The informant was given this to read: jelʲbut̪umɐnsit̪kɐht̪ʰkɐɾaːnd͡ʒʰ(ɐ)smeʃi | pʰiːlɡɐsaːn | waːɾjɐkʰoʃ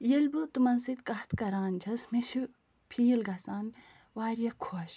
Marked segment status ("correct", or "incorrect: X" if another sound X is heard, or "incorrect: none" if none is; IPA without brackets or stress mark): correct